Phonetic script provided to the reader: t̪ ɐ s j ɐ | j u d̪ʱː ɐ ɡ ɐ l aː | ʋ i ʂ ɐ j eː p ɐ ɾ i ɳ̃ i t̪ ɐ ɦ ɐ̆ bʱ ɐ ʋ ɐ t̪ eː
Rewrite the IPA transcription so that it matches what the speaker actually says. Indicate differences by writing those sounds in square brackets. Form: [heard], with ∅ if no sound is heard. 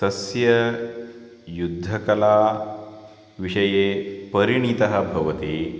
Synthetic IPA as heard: t̪ ɐ s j ɐ | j u d̪ʱː ɐ [k] ɐ l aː | ʋ i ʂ ɐ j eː p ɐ ɾ i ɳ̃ i t̪ ɐ ɦ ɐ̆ bʱ ɐ ʋ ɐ t̪ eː